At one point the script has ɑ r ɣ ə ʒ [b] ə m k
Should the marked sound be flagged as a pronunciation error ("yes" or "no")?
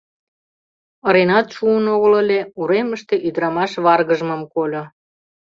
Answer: yes